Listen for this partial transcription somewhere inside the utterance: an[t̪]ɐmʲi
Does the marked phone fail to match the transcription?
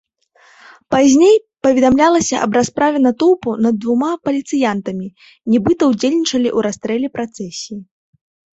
no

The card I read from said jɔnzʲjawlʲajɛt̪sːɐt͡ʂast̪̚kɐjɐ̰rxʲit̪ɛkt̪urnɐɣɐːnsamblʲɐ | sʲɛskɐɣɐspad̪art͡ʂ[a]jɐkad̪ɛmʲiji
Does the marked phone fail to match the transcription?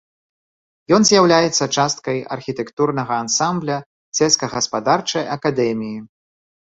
yes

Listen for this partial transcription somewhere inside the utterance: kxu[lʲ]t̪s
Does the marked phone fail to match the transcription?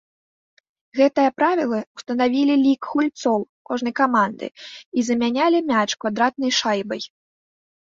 no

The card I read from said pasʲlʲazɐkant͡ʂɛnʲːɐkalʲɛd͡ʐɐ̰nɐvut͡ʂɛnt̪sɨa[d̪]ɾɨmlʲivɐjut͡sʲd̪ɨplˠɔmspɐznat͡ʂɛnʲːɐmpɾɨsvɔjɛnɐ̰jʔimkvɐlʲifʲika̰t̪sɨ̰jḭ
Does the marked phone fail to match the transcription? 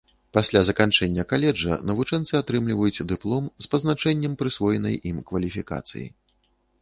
yes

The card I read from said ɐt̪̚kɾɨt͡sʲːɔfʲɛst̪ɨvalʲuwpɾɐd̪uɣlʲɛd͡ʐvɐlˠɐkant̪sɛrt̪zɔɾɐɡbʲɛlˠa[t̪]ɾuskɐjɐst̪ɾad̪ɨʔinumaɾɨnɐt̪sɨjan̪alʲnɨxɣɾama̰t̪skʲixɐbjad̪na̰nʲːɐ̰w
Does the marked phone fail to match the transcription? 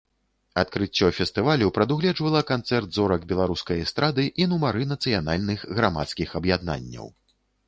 yes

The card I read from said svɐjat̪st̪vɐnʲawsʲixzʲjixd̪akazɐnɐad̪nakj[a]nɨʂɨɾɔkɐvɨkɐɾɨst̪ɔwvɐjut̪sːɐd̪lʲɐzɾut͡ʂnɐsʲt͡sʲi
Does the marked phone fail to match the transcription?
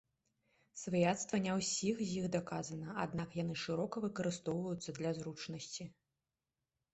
no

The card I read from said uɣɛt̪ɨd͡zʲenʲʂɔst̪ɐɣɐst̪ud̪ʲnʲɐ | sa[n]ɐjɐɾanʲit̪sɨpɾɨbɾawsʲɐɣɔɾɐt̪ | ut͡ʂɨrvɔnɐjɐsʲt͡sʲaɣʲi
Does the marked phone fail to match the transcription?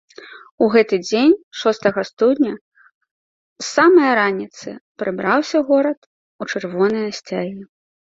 yes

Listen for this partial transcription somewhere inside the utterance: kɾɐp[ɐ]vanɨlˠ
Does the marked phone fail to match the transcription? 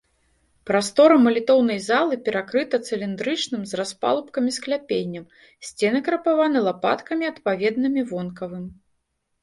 yes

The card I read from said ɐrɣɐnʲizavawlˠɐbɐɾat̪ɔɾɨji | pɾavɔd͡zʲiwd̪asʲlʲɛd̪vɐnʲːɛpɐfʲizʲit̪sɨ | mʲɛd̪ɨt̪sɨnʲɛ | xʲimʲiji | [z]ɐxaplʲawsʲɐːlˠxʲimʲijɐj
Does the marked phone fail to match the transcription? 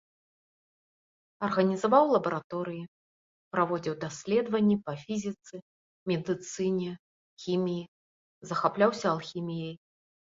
no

